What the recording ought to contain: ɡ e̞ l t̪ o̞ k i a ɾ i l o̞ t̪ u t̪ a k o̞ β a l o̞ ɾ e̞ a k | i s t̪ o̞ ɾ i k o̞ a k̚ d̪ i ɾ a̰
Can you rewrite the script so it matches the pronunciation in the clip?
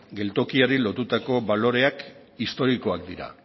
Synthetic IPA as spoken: ɡ e̞ l t̪ o̞ k i a ɾ i l o̞ t̪ u t̪ a k o̞ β a l o̞ ɾ e̞ a k | i s t̪ o̞ ɾ i k o̞ a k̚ d̪ i ɾ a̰